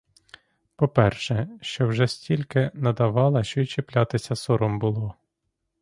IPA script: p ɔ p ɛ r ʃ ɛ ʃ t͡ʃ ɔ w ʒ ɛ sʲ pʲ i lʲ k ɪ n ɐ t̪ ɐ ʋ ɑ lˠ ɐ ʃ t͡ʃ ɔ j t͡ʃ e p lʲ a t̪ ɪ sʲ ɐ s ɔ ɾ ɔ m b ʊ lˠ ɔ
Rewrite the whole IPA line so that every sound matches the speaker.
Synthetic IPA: p ɔ p ɛ r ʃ ɛ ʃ t͡ʃ ɔ w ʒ ɛ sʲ tʲ i lʲ k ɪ n ɐ d̪ ɐ ʋ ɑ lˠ ɐ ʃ t͡ʃ ɔ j t͡ʃ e p lʲ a t̪ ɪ sʲ ɐ s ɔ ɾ ɔ m b ʊ lˠ ɔ